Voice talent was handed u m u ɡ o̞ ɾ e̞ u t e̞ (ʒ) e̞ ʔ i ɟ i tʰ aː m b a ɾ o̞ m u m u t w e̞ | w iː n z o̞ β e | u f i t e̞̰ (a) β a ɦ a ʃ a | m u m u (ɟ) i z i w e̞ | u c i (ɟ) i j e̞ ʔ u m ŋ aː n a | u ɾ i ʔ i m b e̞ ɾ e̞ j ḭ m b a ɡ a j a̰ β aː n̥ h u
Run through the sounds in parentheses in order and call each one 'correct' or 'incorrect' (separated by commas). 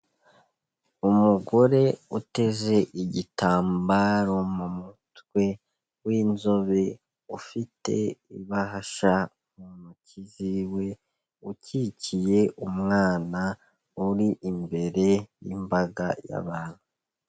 incorrect, incorrect, incorrect, incorrect